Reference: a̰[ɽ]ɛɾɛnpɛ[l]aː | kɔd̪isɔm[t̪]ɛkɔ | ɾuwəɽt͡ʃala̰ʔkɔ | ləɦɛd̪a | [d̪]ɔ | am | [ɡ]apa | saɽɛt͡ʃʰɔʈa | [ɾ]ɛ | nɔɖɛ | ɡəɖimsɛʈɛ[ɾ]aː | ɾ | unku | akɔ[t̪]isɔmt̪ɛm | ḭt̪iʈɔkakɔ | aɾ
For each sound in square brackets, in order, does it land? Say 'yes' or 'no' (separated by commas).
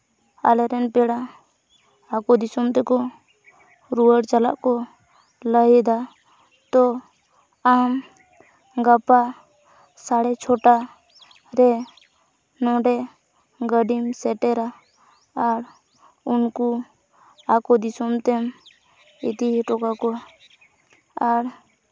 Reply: no, no, yes, no, yes, yes, yes, no